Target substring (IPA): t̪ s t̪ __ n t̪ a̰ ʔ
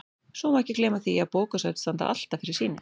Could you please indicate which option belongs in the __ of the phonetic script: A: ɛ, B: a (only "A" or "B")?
B